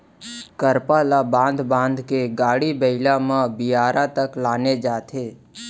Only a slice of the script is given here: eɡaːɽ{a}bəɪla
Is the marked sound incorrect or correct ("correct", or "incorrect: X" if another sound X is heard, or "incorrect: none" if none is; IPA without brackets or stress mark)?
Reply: incorrect: i